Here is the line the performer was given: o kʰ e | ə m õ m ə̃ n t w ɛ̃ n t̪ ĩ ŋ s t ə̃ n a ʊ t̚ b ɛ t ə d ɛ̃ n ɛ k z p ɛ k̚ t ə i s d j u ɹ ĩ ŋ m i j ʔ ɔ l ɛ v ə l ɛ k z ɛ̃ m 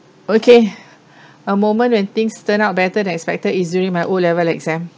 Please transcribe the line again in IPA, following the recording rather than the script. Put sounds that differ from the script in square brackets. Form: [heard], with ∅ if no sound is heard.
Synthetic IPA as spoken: o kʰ e | ə m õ m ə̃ n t w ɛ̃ n t̪ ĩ ŋ s t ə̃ n a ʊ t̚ b ɛ t ə d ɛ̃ n ɛ k [s] p ɛ k̚ t ə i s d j u ɹ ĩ ŋ m [a] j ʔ [o] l ɛ v ə l ɛ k z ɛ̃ m